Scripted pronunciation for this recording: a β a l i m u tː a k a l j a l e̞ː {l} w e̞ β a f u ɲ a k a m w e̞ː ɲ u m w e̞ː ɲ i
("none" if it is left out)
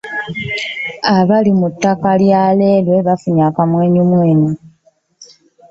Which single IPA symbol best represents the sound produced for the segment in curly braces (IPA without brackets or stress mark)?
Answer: l